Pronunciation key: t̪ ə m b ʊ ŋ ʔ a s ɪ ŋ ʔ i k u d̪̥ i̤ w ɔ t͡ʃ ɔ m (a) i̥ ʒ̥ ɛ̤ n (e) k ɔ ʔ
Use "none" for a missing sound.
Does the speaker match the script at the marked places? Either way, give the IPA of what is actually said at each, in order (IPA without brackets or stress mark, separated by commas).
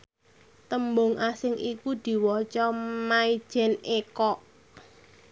a, e